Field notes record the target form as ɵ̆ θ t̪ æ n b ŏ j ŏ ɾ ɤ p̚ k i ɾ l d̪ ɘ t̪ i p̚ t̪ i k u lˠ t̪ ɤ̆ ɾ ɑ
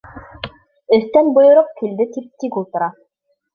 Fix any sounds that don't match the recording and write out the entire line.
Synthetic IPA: ɵ̆ θ t̪ æ n b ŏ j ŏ ɾ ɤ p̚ k i l d̪ ɘ t̪ i p̚ t̪ i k u lˠ t̪ ɤ̆ ɾ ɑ